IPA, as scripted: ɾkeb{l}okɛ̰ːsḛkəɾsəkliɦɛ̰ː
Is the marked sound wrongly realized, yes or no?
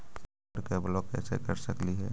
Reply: no